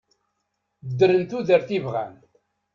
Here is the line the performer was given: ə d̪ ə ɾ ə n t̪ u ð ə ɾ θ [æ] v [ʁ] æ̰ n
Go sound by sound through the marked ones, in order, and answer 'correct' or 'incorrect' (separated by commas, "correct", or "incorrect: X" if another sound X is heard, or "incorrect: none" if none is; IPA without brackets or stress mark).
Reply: incorrect: i, correct